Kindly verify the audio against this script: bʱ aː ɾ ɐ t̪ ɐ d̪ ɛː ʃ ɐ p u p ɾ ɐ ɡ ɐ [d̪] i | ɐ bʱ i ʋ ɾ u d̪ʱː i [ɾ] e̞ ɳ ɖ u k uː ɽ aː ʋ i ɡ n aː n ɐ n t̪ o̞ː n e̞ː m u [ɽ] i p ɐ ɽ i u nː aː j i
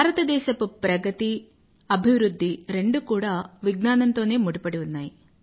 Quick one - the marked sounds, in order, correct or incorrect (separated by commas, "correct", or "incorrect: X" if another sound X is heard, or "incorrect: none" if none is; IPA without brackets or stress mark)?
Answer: incorrect: t̪, correct, correct